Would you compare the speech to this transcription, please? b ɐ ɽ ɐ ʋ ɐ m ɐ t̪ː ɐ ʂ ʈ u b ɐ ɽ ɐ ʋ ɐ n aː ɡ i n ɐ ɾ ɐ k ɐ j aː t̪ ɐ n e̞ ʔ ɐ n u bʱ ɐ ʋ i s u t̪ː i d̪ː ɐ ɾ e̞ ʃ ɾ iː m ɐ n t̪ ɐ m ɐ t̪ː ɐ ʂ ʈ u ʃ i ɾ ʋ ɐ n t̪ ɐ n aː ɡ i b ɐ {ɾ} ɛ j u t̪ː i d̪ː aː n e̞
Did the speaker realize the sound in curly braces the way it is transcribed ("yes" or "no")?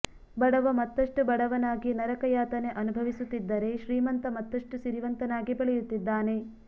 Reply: no